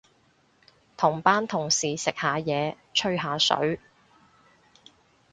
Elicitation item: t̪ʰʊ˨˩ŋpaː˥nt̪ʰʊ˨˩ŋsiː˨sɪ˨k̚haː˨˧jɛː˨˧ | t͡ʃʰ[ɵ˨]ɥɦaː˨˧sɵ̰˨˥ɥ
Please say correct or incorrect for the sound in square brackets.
incorrect